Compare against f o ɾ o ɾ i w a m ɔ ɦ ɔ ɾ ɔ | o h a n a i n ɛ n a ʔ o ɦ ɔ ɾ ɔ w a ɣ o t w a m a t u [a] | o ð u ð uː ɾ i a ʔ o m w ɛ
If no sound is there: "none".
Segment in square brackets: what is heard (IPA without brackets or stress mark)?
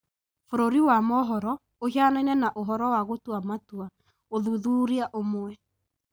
a